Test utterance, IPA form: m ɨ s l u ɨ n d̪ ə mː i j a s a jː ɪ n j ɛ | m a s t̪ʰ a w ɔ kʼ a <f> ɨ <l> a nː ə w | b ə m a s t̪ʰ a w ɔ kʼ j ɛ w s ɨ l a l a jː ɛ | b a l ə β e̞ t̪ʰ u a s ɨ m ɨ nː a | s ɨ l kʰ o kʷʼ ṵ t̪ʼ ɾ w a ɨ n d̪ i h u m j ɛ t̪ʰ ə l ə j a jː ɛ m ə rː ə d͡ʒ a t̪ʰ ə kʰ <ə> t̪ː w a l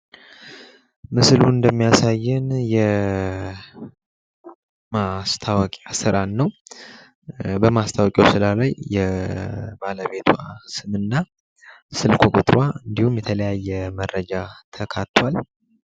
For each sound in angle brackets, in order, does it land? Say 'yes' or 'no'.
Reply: no, no, no

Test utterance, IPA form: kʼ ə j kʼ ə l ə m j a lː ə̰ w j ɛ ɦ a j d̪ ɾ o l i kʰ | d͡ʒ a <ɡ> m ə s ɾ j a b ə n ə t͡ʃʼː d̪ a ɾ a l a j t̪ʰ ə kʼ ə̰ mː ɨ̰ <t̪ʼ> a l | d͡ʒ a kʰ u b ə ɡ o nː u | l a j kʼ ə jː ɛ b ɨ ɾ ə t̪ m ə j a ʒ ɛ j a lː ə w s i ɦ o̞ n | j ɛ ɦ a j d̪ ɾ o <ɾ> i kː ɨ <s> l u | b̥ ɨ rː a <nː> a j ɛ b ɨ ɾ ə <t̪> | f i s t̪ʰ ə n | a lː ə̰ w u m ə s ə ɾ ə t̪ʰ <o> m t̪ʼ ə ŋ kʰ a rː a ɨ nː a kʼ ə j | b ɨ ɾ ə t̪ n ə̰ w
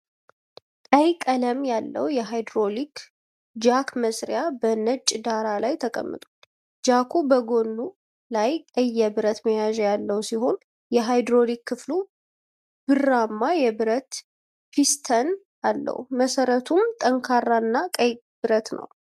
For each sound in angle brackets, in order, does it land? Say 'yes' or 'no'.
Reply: no, yes, no, no, no, yes, no

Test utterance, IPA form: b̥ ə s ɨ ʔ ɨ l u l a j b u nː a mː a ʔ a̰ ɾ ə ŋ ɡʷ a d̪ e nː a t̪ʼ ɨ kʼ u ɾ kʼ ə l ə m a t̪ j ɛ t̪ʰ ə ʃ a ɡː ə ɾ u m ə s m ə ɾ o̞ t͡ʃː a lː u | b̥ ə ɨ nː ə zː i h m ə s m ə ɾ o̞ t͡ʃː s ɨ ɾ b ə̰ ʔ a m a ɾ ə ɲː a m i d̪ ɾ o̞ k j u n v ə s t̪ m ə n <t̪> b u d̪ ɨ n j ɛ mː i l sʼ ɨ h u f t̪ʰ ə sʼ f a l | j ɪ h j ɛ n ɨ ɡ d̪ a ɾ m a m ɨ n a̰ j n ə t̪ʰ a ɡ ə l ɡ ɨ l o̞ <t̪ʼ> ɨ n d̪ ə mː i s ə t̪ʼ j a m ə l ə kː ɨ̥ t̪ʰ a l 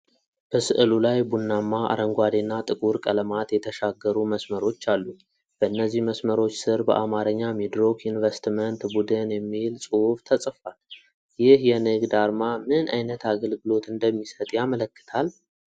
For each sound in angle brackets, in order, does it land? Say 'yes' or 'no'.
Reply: yes, no

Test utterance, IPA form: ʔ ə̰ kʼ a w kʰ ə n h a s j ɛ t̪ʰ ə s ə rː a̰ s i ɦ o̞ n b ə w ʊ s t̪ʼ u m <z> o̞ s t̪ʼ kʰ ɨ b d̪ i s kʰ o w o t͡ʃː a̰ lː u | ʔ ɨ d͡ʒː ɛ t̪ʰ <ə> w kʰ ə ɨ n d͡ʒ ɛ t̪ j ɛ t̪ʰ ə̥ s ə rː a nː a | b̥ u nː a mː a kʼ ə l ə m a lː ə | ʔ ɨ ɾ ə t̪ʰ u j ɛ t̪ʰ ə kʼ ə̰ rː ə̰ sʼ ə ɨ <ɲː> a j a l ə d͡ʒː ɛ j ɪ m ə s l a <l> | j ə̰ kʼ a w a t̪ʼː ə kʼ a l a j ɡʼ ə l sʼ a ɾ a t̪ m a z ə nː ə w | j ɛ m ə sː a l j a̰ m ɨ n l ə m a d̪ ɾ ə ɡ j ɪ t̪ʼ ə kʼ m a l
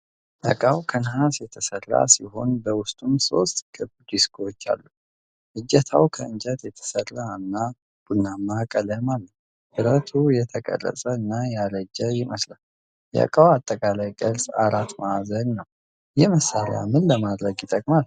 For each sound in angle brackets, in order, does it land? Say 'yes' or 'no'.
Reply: no, no, no, yes

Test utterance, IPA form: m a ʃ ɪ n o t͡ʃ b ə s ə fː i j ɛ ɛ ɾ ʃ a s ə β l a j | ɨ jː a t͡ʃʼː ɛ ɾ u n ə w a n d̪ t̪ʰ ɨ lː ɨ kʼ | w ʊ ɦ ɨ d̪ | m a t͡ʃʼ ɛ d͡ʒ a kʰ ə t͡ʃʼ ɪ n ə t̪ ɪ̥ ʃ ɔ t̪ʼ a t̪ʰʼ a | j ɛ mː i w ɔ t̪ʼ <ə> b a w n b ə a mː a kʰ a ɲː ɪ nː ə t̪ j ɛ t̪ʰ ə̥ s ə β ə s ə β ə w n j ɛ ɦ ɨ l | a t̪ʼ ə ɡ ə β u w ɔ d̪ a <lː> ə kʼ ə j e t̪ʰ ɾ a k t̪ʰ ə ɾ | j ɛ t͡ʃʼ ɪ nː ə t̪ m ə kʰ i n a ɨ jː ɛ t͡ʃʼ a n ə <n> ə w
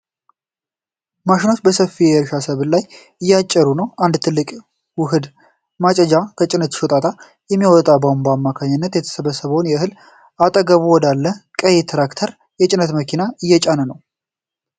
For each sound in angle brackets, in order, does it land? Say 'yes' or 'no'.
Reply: no, yes, yes

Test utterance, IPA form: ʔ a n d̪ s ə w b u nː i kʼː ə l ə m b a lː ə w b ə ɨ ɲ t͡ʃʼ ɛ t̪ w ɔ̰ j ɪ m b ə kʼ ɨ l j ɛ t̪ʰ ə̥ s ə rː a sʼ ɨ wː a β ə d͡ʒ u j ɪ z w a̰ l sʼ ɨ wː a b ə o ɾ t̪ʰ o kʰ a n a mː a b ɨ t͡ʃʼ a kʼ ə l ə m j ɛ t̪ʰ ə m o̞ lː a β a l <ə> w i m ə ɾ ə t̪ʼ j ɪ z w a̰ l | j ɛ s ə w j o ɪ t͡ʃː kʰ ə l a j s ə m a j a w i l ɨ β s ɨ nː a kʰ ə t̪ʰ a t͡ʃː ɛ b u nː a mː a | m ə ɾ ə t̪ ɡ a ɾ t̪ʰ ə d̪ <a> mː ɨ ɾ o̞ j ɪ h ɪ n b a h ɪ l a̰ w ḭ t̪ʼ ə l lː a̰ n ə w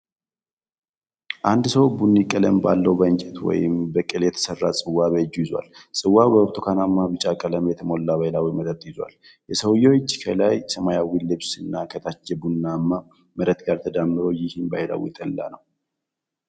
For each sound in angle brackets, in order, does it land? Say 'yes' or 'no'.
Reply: no, yes

